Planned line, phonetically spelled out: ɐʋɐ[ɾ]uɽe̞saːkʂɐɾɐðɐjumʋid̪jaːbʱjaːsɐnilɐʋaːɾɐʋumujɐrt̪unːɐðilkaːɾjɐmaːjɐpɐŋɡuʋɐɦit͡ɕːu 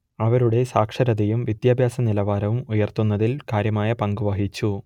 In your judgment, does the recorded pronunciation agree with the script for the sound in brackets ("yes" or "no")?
yes